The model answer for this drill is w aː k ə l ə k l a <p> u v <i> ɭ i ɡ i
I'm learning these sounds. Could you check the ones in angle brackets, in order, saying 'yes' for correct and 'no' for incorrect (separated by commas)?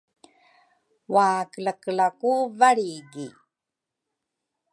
no, no